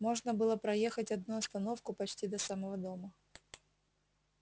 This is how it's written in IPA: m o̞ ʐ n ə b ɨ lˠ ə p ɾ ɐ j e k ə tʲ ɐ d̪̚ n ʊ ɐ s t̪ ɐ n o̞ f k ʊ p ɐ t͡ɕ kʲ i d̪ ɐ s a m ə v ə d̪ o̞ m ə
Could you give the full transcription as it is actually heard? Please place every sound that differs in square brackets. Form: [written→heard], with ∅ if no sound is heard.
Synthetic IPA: m o̞ ʐ n ə b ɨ lˠ ə p ɾ ɐ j e [k→x] ə tʲ ɐ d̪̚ n [ʊ→u] ɐ s t̪ ɐ n o̞ f k ʊ p ɐ t͡ɕ [kʲ→tʲ] i d̪ ɐ s a m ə v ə d̪ o̞ m ə